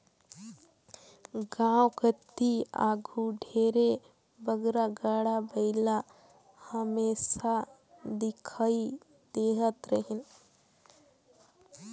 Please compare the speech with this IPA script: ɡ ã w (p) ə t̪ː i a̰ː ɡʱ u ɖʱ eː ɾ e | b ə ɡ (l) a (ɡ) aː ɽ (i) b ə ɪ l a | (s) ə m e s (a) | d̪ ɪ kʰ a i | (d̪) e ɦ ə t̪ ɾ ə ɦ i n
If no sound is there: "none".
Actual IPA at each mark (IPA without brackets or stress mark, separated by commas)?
k, ɾ, ɡ, a, h, a, d̪